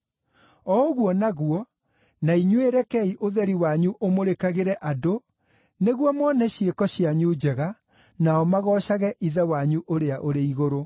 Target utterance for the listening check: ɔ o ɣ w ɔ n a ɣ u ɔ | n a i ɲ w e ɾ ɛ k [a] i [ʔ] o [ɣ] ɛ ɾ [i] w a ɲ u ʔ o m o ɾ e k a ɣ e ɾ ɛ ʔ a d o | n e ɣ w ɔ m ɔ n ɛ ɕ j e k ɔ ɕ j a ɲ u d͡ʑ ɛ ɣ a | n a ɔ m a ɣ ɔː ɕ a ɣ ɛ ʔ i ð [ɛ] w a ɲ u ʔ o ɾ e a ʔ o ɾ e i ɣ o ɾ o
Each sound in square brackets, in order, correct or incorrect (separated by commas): incorrect, correct, incorrect, correct, correct